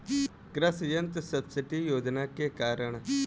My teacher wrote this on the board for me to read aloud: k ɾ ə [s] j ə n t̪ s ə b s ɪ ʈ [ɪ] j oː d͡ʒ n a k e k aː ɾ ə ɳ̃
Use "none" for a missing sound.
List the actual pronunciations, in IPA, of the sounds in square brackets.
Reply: s, i

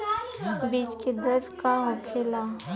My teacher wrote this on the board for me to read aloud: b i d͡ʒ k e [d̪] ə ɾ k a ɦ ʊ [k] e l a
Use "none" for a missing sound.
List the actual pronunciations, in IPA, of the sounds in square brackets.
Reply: d̪, kʰ

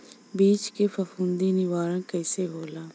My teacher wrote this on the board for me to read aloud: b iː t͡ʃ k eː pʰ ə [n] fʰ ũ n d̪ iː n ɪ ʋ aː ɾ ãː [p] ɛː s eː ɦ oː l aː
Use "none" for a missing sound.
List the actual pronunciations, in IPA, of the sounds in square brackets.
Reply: none, k

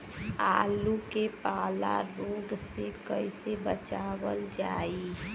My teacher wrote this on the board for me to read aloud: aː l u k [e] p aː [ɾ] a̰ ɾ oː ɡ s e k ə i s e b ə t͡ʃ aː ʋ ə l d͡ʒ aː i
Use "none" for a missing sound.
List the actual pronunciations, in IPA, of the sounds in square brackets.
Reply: e, l

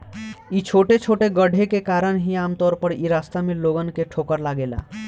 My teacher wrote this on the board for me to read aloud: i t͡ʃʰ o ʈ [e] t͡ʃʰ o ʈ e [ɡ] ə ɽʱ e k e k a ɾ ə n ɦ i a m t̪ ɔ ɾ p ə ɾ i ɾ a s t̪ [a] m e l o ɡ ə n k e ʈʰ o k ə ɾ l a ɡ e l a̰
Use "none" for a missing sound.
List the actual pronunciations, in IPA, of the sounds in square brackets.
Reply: e, ɡ, a

